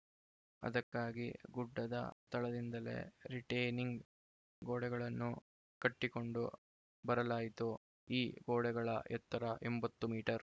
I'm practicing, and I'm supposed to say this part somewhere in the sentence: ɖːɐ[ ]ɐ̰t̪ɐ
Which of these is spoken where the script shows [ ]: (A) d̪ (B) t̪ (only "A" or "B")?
A